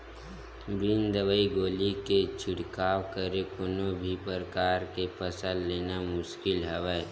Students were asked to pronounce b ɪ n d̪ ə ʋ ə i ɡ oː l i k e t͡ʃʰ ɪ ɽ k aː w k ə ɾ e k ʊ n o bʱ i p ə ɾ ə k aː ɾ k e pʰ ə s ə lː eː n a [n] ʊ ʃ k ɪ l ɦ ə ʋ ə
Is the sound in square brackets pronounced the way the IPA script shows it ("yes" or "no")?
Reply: no